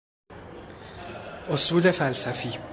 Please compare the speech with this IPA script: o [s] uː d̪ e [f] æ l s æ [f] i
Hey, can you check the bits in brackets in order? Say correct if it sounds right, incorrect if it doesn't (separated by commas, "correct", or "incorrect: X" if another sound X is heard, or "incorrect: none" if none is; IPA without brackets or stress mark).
correct, correct, correct